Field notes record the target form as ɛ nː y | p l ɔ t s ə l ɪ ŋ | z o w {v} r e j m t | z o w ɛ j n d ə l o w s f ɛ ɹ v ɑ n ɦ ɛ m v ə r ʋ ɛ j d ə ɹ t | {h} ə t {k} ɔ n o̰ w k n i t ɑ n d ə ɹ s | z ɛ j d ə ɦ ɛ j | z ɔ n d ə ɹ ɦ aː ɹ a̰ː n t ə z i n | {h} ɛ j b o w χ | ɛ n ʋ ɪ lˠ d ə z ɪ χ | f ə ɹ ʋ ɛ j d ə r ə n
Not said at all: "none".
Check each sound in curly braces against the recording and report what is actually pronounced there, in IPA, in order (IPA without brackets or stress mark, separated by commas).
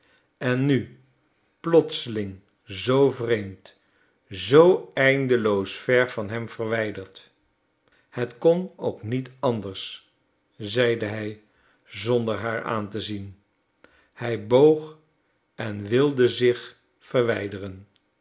v, h, k, h